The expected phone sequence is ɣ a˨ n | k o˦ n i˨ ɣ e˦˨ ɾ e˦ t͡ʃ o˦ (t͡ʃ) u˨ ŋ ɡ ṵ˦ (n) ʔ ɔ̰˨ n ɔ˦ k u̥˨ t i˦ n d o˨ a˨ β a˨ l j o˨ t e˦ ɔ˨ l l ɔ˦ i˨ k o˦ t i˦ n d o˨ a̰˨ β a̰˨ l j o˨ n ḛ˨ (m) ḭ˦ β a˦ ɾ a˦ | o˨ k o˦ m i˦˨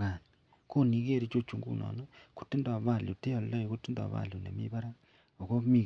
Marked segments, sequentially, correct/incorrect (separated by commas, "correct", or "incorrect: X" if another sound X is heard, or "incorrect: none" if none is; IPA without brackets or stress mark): correct, correct, correct